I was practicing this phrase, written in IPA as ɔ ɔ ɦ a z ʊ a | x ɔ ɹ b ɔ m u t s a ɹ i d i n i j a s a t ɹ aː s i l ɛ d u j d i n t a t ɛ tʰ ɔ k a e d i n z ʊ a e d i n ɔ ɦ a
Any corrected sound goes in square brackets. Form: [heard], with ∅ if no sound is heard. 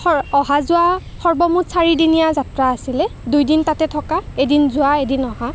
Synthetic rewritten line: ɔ ɔ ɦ a z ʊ a | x ɔ ɹ b ɔ m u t s a ɹ i d i n i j a [z] a t ɹ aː s i l ɛ d u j d i n t a t ɛ tʰ ɔ k a e d i n z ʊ a e d i n ɔ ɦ a